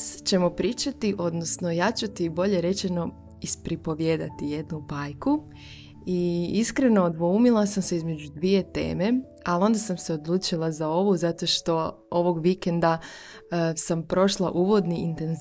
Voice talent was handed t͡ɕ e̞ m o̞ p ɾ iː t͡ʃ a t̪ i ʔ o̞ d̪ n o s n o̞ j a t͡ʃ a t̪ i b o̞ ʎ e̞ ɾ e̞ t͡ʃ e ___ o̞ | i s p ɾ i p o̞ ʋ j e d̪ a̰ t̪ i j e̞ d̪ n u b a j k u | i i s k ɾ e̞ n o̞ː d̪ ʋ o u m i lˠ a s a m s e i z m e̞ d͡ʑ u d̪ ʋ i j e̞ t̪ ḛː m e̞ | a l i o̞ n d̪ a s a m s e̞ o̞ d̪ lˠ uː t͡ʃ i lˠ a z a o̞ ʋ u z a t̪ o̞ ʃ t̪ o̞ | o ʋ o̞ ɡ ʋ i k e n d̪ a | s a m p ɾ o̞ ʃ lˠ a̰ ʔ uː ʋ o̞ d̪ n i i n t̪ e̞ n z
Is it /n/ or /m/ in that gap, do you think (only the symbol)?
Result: n